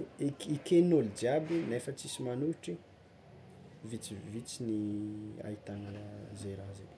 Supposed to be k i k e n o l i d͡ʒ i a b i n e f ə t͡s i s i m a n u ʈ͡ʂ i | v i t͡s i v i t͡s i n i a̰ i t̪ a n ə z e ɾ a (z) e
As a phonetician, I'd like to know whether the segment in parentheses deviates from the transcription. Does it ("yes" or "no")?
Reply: no